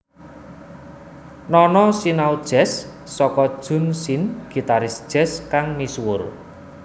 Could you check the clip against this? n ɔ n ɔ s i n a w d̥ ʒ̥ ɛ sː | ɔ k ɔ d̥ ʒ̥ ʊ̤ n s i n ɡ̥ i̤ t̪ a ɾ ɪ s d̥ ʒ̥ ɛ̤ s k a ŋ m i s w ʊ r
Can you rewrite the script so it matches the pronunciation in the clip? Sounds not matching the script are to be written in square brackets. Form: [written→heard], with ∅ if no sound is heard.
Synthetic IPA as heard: n ɔ n ɔ s i n a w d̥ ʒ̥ ɛ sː | ɔ k ɔ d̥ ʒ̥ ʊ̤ n s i n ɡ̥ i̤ t̪ a ɾ ɪ s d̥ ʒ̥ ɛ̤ s k a ŋ m i s w ʊ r